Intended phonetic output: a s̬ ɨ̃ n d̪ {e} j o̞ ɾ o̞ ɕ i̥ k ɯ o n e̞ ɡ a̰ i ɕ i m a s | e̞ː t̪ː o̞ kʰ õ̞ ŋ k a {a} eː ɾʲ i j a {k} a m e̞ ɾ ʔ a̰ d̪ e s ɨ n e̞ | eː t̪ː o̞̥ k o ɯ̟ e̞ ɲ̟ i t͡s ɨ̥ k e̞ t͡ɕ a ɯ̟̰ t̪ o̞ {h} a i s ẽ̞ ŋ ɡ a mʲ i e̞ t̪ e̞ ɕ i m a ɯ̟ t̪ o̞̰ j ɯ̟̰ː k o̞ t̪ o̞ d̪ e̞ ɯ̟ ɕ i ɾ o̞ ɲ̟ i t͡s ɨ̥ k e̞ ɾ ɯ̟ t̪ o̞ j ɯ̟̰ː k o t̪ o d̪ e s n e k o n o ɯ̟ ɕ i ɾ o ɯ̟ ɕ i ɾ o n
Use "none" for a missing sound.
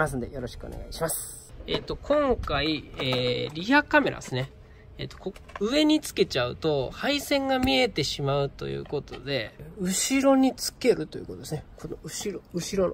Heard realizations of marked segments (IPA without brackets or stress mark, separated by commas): e, i, k, h